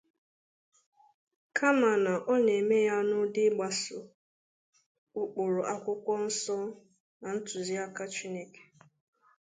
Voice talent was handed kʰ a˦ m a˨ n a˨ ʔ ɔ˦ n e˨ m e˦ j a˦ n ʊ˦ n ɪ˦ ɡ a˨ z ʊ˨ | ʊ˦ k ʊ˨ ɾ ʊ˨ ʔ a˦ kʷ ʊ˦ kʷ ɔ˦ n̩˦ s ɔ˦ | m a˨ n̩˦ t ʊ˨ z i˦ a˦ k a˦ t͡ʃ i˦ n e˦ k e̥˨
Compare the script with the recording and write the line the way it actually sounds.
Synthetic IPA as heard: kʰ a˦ m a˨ n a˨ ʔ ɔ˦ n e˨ m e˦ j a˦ n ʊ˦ d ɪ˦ ɡ͡b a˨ s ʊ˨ | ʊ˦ k͡p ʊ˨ ɾ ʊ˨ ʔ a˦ kʷ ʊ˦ kʷ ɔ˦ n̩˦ s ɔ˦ | n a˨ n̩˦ t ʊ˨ z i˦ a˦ k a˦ t͡ʃ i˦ n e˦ k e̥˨